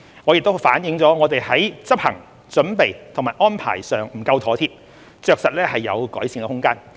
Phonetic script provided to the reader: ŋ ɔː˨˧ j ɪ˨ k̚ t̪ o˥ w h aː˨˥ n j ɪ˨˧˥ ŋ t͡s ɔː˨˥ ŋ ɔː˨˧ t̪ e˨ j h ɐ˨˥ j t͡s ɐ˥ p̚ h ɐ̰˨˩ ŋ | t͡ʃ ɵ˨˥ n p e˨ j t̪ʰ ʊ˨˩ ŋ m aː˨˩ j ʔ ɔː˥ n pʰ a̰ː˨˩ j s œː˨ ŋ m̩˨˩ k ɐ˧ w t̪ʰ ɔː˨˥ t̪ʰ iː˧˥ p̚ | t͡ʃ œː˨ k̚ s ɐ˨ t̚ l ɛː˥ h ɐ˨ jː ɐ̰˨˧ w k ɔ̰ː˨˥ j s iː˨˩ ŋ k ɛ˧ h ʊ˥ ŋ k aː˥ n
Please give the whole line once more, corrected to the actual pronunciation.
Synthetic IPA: ŋ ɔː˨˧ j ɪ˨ k̚ t̪ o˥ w f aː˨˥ n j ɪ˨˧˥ ŋ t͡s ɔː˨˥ ŋ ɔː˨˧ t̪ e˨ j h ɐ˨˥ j t͡s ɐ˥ p̚ h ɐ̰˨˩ ŋ | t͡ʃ ɵ˨˥ n p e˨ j t̪ʰ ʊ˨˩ ŋ m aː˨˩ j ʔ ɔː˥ n pʰ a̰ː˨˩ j s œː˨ ŋ m̩˨˩ k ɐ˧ w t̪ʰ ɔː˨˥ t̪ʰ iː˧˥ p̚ | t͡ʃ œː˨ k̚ s ɐ˨ t̚ l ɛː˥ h ɐ˨ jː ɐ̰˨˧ w k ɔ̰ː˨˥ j s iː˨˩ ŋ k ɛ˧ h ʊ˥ ŋ k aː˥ n